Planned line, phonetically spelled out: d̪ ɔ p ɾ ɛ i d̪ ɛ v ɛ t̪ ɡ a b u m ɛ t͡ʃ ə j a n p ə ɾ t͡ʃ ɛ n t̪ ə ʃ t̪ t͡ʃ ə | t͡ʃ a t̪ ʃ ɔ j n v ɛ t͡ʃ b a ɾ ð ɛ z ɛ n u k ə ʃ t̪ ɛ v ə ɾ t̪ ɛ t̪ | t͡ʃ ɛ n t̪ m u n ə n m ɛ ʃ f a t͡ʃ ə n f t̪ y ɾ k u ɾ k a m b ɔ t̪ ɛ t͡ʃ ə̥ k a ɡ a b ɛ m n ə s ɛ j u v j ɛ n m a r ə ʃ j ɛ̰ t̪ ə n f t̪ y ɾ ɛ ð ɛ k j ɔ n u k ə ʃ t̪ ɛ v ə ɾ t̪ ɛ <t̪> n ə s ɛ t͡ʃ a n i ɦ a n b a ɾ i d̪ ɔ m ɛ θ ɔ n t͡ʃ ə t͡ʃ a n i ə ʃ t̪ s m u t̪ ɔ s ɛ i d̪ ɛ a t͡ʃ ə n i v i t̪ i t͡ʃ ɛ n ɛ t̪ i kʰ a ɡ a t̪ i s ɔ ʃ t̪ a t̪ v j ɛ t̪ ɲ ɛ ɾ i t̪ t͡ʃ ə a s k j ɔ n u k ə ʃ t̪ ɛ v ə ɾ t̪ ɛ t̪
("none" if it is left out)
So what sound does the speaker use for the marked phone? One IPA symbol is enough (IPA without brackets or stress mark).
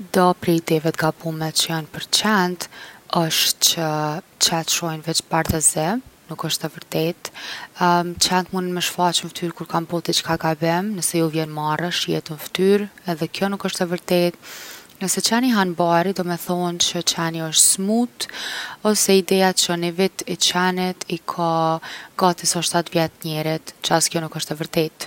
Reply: t̪